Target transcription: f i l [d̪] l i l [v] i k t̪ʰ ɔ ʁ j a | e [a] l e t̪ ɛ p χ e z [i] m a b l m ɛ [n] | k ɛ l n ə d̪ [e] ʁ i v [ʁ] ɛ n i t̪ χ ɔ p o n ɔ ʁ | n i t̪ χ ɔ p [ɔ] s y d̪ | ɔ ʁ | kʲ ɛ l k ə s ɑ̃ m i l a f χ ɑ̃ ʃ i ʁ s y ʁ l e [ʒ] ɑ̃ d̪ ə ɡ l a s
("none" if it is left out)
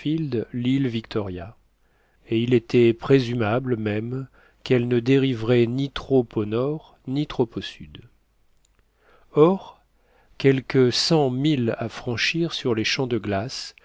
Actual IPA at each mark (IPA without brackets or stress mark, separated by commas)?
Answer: d̪, v, i, y, m, e, ʁ, o, ʃ